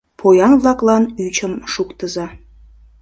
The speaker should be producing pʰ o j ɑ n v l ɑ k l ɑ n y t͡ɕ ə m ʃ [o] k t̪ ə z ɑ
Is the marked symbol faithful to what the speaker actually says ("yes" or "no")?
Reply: no